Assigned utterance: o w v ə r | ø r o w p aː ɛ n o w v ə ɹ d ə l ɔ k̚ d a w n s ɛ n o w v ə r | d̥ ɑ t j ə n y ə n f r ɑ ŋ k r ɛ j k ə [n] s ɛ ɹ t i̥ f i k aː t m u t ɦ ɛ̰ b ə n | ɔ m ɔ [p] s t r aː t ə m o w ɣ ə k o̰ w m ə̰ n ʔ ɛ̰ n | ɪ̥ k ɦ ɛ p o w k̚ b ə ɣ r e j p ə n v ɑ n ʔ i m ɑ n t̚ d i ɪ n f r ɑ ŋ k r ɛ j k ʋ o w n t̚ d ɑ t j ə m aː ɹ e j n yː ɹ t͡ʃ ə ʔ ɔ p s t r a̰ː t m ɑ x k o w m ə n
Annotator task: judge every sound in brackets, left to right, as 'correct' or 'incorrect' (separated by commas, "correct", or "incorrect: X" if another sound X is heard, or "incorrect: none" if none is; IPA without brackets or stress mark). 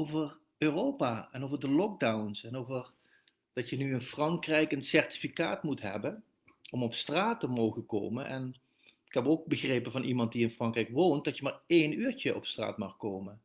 correct, correct